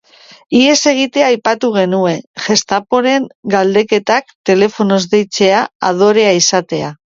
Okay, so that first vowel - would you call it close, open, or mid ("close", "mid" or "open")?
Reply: close